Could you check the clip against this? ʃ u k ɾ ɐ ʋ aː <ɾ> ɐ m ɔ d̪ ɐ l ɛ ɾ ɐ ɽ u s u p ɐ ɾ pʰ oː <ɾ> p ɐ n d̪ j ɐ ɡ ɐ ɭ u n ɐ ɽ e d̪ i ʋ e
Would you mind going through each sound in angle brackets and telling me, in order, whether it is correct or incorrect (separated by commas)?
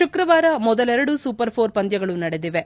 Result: correct, correct